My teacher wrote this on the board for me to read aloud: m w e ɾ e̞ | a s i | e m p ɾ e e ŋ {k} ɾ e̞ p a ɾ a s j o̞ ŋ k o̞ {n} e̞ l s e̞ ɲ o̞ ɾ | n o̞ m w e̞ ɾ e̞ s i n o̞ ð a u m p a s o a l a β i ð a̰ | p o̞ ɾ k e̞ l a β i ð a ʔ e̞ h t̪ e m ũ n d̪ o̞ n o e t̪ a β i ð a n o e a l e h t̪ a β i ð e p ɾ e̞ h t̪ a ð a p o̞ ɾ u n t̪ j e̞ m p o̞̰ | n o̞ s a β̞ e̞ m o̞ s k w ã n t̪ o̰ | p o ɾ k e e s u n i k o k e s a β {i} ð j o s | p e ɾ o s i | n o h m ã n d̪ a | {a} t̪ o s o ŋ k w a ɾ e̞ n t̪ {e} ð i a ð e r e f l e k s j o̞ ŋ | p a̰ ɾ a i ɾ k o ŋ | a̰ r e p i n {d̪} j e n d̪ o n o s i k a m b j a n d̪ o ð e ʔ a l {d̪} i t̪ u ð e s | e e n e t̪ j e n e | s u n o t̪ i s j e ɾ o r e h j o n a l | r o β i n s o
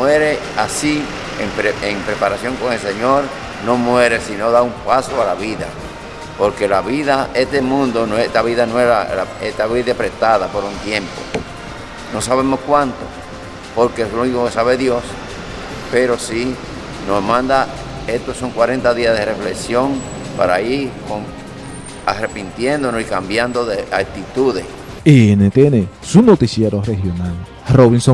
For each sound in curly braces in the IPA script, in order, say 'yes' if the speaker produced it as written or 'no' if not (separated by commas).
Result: no, no, no, no, no, no, no